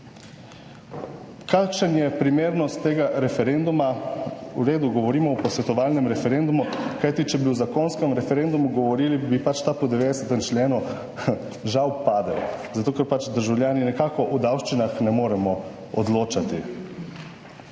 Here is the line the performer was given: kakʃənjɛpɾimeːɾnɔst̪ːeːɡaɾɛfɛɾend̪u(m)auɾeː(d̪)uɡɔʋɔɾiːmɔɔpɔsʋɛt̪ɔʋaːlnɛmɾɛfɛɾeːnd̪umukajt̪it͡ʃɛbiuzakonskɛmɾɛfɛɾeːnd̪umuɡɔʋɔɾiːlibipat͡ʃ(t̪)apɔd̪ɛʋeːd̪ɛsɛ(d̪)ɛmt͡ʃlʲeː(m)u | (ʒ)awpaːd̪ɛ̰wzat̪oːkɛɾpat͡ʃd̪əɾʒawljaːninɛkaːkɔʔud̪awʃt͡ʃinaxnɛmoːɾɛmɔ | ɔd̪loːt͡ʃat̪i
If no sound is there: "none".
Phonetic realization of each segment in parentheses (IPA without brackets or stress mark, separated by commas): m, d̪, t̪, t̪, n, ʒ